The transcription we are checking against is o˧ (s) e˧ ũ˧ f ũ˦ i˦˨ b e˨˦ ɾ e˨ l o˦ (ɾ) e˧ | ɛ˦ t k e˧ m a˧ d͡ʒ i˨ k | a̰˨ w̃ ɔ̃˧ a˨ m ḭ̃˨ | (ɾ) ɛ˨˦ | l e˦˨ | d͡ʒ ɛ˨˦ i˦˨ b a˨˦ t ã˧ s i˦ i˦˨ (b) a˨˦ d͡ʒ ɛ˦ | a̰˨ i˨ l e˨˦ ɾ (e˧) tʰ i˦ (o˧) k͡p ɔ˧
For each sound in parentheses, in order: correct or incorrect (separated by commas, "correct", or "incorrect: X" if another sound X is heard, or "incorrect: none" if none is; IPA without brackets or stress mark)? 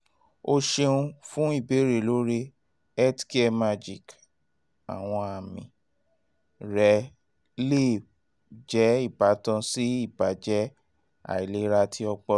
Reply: incorrect: ʃ, correct, correct, correct, incorrect: a˧, incorrect: ɔ˧